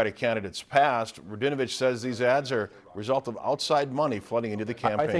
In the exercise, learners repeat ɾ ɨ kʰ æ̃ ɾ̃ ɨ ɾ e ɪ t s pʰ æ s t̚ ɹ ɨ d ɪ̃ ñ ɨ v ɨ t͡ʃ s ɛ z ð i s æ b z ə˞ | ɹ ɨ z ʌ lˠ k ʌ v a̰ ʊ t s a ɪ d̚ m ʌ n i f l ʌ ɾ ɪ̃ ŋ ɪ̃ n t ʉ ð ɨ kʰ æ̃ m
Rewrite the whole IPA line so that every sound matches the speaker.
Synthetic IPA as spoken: ɾ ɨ kʰ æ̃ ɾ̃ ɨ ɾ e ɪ t s pʰ æ s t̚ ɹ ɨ d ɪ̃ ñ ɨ v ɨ t͡ʃ s ɛ z ð i z æ d z ə˞ | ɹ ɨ z ʌ lˠ t ʌ v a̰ ʊ t s a ɪ d̚ m ʌ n i f l ʌ ɾ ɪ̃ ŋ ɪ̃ n t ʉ ð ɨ kʰ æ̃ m